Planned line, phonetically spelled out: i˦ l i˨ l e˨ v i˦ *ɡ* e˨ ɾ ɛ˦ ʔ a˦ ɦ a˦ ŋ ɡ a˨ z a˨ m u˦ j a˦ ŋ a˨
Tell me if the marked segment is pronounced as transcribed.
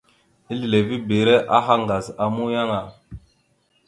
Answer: no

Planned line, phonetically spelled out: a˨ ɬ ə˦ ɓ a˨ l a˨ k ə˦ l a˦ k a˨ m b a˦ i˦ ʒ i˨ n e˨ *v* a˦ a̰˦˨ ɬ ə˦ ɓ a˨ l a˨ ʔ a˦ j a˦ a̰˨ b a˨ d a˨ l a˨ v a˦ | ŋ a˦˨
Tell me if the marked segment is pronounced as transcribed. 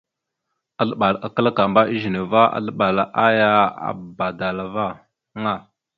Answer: yes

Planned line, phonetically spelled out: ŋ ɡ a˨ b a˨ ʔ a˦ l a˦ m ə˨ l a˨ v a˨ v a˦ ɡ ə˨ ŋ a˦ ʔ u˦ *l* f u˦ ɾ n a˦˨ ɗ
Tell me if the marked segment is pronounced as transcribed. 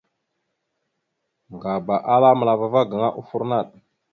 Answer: no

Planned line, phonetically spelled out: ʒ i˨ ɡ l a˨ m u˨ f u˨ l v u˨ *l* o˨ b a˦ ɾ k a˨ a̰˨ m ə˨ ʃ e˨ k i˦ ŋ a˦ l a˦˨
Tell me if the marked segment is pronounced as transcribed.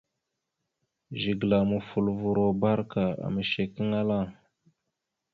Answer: no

